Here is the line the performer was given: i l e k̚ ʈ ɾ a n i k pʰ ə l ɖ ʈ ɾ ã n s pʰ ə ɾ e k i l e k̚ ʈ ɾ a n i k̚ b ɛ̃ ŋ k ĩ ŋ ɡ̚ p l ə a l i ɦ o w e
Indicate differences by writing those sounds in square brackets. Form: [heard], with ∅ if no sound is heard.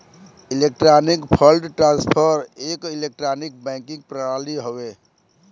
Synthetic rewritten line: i l e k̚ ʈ ɾ a n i k pʰ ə l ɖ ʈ ɾ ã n s pʰ ə ɾ e k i l e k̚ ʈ ɾ a n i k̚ b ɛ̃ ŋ k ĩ ŋ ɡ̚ p [ɾ] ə a l i ɦ o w e